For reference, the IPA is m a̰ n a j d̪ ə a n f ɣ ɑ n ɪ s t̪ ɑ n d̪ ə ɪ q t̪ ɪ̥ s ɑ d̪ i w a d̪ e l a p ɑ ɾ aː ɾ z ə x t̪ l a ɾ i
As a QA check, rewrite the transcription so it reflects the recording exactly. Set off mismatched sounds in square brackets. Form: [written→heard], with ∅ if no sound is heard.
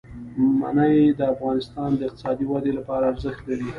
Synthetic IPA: m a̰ n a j d̪ ə a [n→∅] f ɣ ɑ n ɪ s t̪ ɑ n d̪ ə ɪ q t̪ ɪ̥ s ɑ d̪ i w a d̪ e l a p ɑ ɾ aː ɾ z ə x t̪ l a ɾ i